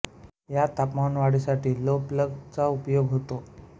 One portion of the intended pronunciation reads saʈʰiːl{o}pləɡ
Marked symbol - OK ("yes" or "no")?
yes